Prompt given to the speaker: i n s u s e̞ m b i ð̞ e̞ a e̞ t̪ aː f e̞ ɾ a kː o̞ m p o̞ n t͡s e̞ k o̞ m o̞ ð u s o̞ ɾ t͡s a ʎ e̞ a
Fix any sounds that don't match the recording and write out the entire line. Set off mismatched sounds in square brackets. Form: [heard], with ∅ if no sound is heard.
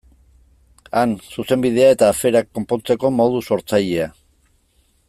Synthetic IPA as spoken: [a] n s u s e̞ m b i ð̞ e̞ a e̞ t̪ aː f e̞ ɾ a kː o̞ m p o̞ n t͡s e̞ k o̞ m o̞ ð u s o̞ ɾ t͡s a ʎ e̞ a

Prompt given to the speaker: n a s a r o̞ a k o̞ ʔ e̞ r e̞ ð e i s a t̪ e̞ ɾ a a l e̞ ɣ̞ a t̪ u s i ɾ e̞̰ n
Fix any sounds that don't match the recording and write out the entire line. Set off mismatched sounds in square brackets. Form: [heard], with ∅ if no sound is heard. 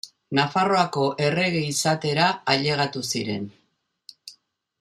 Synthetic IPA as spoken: n a [f] a r o̞ a k o̞ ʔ e̞ r e̞ [ɣ] e i s a t̪ e̞ ɾ a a [ʎ] e̞ ɣ̞ a t̪ u s i ɾ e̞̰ n

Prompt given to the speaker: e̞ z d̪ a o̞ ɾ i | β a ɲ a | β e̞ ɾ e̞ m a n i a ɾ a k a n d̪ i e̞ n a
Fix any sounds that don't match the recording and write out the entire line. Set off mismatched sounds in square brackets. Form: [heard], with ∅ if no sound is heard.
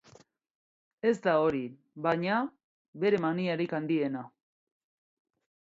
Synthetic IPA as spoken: e̞ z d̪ a o̞ ɾ i | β a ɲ a | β e̞ ɾ e̞ m a n i a ɾ [i] k a n d̪ i e̞ n a

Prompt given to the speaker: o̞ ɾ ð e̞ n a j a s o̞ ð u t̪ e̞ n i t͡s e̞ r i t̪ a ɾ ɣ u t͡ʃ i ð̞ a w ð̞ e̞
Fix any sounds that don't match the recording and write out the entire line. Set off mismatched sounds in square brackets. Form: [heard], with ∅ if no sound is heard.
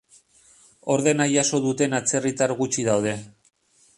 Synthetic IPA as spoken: o̞ ɾ ð e̞ n a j a s o̞ ð u t̪ e̞ n [a] t͡s e̞ r i t̪ a ɾ ɣ u t͡ʃ i ð̞ a w ð̞ e̞

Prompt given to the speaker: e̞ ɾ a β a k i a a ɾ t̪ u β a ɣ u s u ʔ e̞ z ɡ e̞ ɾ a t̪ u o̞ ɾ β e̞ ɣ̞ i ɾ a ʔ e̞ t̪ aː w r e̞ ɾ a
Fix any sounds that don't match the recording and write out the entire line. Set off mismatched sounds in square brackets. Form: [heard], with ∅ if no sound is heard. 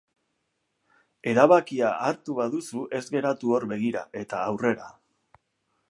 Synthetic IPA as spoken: e̞ ɾ a β a k i a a ɾ t̪ u β a [ð] u s u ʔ e̞ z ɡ e̞ ɾ a t̪ u o̞ ɾ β e̞ ɣ̞ i ɾ a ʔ e̞ t̪ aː w r e̞ ɾ a

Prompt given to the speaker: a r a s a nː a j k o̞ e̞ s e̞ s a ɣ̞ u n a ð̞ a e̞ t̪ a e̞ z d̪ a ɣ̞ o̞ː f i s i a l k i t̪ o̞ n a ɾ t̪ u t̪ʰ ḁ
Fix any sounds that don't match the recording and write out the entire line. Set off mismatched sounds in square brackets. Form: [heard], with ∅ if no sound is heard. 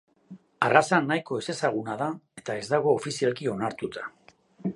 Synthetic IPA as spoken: a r a s a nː a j k o̞ e̞ s e̞ s a ɣ̞ u n a ð̞ a e̞ t̪ a e̞ z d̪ a ɣ̞ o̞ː f i s i a l k i [∅] o̞ n a ɾ t̪ u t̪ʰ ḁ

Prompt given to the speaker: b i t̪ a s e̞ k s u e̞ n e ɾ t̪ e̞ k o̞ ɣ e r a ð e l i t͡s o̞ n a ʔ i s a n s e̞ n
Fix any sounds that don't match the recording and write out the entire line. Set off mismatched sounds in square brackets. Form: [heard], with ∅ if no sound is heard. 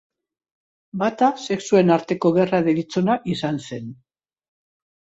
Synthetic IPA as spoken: b [a] t̪ a s e̞ k s u e̞ n [a] ɾ t̪ e̞ k o̞ ɣ e r a ð e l i t͡s o̞ n a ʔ i s a n s e̞ n

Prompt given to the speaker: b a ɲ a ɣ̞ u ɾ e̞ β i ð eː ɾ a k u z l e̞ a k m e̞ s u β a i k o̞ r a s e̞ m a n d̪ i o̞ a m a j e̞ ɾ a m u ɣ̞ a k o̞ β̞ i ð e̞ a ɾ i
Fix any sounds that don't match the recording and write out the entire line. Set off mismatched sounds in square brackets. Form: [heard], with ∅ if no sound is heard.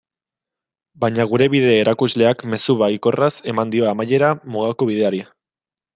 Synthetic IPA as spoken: b a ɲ a ɣ̞ u ɾ e̞ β i ð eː ɾ a k u z l e̞ a k m e̞ s u β a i k o̞ r a s e̞ m a n d̪ i o̞ a m a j e̞ ɾ a m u ɣ̞ a k o̞ β̞ i ð e̞ a ɾ i

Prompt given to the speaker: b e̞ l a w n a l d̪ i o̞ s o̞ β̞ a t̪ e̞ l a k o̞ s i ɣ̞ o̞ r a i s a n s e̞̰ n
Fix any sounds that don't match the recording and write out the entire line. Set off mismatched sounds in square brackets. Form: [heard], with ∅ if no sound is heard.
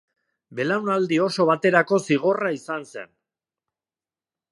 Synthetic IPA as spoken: b e̞ l a w n a l d̪ i o̞ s o̞ β̞ a t̪ e̞ [ɾ] a k o̞ s i ɣ̞ o̞ r a i s a n s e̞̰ n

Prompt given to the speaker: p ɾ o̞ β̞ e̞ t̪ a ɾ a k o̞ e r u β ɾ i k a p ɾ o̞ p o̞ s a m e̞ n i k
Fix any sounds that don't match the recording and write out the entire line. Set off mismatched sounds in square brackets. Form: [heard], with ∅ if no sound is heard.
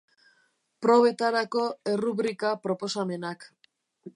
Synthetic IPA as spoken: p ɾ o̞ β̞ e̞ t̪ a ɾ a k o̞ e r u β ɾ i k a p ɾ o̞ p o̞ s a m e̞ n [a] k

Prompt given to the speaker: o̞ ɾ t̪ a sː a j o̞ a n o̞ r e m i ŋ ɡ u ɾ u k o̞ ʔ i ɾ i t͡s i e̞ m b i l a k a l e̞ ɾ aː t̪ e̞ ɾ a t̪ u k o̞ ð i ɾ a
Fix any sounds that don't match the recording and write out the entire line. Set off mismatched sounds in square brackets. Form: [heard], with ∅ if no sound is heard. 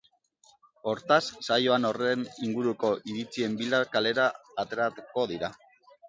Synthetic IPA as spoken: o̞ ɾ t̪ a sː a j o̞ a n o̞ r e [n] i ŋ ɡ u ɾ u k o̞ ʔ i ɾ i t͡s i e̞ m b i l a k a l e̞ ɾ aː t̪ e̞ ɾ a t̪ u k o̞ ð i ɾ a

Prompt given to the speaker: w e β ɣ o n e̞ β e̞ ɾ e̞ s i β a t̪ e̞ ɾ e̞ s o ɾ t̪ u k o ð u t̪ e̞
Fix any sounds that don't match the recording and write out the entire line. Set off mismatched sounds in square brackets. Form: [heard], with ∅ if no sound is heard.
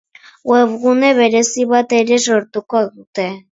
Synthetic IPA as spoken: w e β ɣ [u] n e̞ β e̞ ɾ e̞ s i β a t̪ e̞ ɾ e̞ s o ɾ t̪ u k o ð u t̪ e̞

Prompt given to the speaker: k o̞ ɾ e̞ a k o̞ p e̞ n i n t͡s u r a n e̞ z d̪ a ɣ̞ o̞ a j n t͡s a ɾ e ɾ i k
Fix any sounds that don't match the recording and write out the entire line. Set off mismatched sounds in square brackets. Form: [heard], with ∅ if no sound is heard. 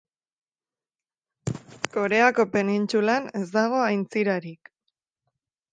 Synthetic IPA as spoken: k o̞ ɾ e̞ a k o̞ p e̞ n i n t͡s u [l] a n e̞ z d̪ a ɣ̞ o̞ a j n t͡s [i] ɾ [a] ɾ i k

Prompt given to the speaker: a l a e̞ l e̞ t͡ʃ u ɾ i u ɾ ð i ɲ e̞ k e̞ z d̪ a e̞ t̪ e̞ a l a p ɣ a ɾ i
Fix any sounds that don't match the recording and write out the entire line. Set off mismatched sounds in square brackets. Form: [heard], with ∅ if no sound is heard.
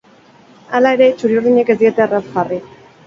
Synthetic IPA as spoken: a l a e̞ [ɾ] e̞ t͡ʃ u ɾ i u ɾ ð i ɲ e̞ k e̞ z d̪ [i] e̞ t̪ e̞ a [r] a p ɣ a [r] i

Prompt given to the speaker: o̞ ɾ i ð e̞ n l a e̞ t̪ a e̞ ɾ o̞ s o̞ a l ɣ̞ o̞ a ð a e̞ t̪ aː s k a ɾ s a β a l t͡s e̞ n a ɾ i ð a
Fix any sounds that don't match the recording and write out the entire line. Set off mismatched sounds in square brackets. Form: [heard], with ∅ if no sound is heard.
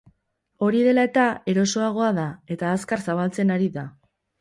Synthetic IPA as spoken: o̞ ɾ i ð e̞ [∅] l a e̞ t̪ a e̞ ɾ o̞ s o̞ a [∅] ɣ̞ o̞ a ð a e̞ t̪ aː s k a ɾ s a β a l t͡s e̞ n a ɾ i ð a

